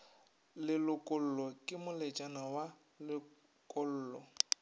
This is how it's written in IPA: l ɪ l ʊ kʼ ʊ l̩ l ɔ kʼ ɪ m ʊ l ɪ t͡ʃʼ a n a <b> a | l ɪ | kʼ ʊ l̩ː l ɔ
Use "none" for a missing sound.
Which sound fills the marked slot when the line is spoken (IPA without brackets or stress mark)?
w